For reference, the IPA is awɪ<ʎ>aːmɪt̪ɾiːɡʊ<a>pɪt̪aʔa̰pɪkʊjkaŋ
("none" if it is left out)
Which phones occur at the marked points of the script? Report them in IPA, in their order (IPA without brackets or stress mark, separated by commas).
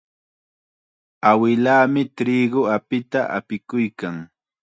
l, a